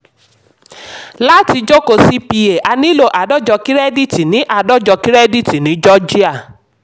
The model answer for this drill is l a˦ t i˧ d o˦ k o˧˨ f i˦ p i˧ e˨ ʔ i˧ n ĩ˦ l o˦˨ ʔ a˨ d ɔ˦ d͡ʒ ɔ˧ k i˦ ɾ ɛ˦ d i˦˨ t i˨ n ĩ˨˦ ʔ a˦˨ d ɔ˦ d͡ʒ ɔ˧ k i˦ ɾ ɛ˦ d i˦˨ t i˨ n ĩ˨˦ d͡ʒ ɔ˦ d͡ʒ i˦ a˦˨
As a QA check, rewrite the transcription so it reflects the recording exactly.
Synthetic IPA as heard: l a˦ t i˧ d͡ʒ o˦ k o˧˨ s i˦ p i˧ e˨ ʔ a˧ n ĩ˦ l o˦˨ ʔ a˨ d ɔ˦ d͡ʒ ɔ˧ k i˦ ɾ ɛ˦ d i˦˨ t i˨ n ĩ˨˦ ʔ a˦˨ d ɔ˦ d͡ʒ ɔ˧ k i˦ ɾ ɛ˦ d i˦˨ t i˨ n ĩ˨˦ d͡ʒ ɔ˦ d͡ʒ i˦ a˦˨